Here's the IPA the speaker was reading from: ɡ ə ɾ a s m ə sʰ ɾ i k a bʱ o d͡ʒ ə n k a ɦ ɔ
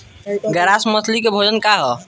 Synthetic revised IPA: ɡ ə ɾ a s m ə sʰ l i k e bʱ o d͡ʒ ə n k a ɦ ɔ